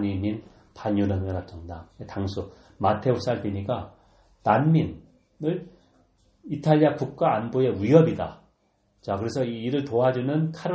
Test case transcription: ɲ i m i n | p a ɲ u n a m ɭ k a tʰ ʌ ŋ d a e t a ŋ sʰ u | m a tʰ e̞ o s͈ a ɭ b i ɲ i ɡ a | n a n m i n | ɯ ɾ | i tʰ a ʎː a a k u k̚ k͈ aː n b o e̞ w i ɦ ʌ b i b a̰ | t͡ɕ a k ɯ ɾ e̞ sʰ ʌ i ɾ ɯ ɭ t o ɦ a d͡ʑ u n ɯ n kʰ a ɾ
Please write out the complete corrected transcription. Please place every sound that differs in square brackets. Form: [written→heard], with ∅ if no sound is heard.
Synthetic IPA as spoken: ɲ i m i n | p a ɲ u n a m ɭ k a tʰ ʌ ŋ d a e t a ŋ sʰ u | m a tʰ e̞ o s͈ a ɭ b i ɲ i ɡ a | n a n m i n | ɯ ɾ | i tʰ a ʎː [a→i] a k u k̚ k͈ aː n b o e̞ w i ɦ ʌ b i [b→d] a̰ | t͡ɕ a k ɯ ɾ e̞ sʰ ʌ [i→iː] ɾ ɯ ɭ t o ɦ a d͡ʑ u n ɯ n kʰ a ɾ